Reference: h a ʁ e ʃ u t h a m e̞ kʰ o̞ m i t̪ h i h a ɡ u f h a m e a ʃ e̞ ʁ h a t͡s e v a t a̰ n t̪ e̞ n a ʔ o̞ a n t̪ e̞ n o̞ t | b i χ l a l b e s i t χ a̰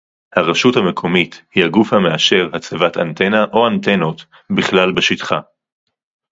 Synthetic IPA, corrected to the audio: h a ʁ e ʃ u t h a m e̞ kʰ o̞ m i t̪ h i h a ɡ u f h a m e a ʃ e̞ ʁ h a t͡s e v a t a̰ n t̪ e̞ n a ʔ o̞ a n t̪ e̞ n o̞ t | b i χ l a l b e ʃ i t χ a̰